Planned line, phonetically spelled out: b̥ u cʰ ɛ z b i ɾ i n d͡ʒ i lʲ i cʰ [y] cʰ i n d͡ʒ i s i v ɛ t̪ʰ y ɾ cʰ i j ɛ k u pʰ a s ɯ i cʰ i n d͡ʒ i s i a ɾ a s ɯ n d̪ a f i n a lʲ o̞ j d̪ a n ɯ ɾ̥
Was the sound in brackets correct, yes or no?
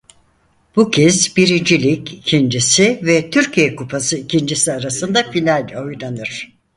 no